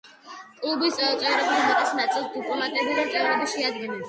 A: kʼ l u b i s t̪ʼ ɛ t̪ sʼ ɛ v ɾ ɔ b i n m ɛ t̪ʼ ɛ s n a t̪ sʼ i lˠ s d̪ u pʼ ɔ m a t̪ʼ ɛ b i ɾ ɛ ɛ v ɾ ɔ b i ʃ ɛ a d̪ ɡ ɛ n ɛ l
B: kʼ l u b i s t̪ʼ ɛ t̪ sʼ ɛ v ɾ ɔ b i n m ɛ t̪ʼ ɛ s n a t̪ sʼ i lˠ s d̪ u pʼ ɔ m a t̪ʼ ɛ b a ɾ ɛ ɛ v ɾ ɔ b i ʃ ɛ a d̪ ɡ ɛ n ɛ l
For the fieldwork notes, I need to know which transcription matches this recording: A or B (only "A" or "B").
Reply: A